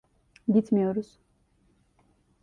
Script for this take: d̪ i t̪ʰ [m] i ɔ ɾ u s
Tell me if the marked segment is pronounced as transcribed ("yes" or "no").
yes